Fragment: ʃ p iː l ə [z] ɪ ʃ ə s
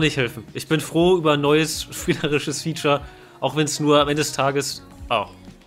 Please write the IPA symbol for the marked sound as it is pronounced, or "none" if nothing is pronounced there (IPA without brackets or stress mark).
ʁ